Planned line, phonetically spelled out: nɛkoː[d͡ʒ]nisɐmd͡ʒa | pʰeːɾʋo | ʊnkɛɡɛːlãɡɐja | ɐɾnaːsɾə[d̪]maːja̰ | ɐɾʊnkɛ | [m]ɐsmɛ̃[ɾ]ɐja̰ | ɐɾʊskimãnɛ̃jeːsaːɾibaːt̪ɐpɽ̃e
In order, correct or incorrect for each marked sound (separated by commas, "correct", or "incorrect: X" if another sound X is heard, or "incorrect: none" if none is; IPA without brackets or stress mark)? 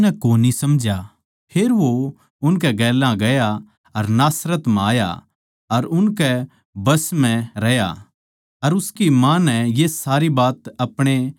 incorrect: none, incorrect: t̪, incorrect: b, correct